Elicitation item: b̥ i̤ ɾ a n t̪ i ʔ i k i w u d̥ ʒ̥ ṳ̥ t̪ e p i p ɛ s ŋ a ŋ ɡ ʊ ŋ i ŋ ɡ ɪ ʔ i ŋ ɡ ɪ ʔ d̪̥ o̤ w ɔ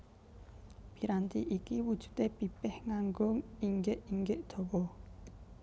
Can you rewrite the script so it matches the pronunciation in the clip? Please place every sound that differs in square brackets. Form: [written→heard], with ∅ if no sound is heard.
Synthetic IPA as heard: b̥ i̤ ɾ a n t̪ i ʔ i k i w u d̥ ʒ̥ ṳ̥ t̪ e p i p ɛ [s→h] ŋ a ŋ ɡ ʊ ŋ i ŋ ɡ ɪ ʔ i ŋ ɡ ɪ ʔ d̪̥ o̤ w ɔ